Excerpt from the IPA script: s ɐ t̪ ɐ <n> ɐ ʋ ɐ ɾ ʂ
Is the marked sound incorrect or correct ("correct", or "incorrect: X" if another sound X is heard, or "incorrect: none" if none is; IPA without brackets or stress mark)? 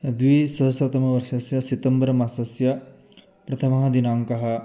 incorrect: m